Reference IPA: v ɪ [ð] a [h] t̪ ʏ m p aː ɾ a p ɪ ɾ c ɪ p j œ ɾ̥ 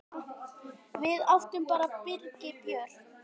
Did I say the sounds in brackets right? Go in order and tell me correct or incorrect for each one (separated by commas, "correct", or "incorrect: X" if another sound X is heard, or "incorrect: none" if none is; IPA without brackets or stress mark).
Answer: correct, incorrect: f